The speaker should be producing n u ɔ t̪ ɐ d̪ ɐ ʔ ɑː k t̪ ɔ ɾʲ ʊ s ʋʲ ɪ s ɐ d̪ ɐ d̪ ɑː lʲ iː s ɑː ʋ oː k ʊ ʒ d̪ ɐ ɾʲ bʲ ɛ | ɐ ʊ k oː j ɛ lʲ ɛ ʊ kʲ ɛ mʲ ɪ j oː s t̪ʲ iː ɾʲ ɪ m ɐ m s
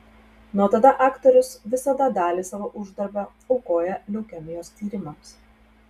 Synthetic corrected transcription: n u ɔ t̪ ɐ d̪ ɐ ʔ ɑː k t̪ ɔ ɾʲ ʊ s ʋʲ ɪ s ɐ d̪ ɐ d̪ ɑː lʲ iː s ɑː ʋ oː ʔ ʊ ʒ d̪ ɐ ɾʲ bʲ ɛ | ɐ ʊ k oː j ɛ lʲ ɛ ʊ kʲ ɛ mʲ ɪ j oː s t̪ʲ iː ɾʲ ɪ m ɐ m s